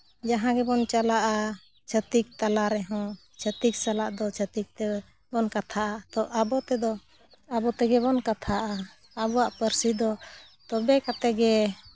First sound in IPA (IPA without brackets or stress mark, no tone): d͡ʒ